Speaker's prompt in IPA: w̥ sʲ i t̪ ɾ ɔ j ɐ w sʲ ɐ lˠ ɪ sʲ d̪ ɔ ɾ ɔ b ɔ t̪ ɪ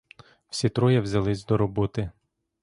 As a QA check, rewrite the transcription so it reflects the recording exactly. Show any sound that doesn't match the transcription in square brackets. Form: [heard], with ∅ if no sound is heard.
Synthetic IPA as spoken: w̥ sʲ i t̪ ɾ ɔ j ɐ w [zʲ] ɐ lˠ ɪ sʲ d̪ ɔ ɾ ɔ b ɔ t̪ ɪ